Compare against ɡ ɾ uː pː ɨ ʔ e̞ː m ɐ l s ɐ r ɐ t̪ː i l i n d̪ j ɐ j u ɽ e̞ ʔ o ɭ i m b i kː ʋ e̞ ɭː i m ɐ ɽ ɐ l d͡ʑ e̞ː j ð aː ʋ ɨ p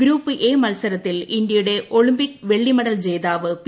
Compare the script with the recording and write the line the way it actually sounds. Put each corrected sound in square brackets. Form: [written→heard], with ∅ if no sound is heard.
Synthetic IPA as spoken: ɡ ɾ uː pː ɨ ʔ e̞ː m ɐ l s ɐ [r→ɾ] ɐ t̪ː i l i n d̪ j ɐ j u ɽ e̞ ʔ o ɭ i m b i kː ʋ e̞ ɭː i m ɐ ɽ ɐ l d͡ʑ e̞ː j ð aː ʋ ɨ p